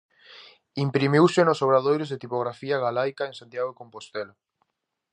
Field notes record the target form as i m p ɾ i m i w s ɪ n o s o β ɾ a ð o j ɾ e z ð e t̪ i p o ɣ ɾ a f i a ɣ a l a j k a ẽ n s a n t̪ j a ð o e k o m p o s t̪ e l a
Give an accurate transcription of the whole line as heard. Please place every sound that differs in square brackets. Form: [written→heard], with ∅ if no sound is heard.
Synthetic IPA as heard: i m p ɾ i m i w s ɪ n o s o β ɾ a ð o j ɾ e z ð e t̪ i p o ɣ ɾ a f i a ɣ a l a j k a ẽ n s a n t̪ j a [ð→ɣ] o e k o m p o s t̪ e l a